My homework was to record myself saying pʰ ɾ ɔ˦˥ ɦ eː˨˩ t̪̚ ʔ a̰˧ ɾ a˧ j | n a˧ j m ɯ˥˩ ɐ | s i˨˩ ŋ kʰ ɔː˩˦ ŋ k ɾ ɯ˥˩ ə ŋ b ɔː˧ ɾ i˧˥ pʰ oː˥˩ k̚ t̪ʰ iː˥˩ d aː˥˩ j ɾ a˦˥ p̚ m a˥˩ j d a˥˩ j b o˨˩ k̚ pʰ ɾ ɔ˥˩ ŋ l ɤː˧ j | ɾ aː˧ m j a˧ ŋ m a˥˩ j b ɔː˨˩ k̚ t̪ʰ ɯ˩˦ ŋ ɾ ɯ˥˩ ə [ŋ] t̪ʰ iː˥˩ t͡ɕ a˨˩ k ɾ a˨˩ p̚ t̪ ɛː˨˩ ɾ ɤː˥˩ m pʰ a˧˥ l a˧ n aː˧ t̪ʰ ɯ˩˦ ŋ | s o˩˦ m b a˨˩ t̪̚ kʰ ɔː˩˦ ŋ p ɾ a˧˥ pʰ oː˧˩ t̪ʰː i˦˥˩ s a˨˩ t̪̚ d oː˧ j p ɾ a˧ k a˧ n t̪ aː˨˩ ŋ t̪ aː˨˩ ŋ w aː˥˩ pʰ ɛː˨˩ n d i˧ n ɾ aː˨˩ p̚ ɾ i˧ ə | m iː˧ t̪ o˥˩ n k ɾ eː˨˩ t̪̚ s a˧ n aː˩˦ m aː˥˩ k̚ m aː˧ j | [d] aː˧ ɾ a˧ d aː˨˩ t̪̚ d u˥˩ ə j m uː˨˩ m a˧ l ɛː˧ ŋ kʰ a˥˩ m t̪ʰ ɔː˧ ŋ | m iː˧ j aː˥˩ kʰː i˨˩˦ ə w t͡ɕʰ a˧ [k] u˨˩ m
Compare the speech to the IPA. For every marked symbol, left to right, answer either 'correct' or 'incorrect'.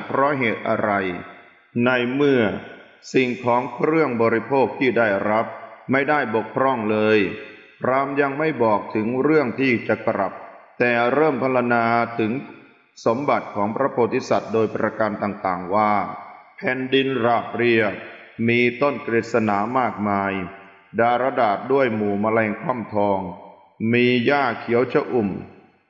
correct, correct, incorrect

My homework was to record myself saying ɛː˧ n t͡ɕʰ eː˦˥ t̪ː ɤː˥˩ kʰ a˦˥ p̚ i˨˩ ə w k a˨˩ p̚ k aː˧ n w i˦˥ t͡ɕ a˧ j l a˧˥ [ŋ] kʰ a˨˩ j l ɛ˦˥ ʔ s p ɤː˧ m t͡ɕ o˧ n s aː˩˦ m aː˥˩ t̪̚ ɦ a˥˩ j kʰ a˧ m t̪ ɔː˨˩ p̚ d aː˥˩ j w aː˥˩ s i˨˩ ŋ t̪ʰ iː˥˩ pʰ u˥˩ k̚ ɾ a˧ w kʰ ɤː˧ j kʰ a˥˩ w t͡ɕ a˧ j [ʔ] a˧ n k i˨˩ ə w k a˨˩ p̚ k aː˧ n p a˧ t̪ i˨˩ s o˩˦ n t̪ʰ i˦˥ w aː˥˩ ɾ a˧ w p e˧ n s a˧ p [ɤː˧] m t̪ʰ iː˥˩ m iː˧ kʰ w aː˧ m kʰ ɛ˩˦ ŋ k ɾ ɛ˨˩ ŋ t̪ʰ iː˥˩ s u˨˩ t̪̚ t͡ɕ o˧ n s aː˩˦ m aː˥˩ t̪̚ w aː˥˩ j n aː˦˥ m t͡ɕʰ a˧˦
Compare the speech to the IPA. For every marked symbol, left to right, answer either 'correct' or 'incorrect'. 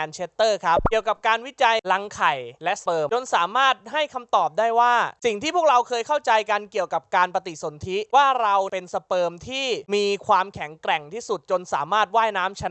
correct, incorrect, correct

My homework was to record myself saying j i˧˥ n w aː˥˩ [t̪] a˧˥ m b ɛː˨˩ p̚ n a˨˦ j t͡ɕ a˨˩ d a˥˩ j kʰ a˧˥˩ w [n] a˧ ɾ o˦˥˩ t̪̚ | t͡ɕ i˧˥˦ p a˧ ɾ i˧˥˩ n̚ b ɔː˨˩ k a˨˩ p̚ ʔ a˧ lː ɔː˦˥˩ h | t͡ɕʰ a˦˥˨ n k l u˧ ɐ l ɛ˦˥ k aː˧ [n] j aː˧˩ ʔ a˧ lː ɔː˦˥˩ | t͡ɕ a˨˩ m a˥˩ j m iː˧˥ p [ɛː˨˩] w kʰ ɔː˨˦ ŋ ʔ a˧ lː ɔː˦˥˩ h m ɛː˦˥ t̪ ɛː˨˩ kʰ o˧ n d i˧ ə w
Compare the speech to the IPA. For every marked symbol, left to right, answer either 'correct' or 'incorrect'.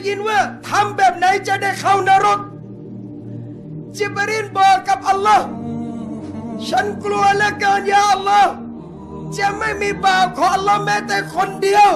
incorrect, correct, correct, incorrect

